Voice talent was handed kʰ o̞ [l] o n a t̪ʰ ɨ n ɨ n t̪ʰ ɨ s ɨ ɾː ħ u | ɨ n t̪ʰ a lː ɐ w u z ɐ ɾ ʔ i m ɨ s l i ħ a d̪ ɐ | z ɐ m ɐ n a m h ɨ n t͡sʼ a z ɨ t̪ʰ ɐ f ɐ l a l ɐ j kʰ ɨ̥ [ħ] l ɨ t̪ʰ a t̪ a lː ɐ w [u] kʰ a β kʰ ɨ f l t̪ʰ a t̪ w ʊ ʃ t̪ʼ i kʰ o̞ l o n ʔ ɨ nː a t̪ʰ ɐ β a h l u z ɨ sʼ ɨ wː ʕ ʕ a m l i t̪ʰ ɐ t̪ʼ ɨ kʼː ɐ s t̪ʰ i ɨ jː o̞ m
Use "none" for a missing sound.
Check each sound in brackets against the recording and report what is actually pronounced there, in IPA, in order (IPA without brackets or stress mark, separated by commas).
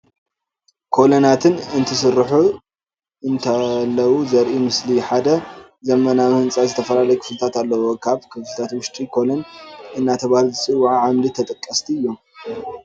l, f, o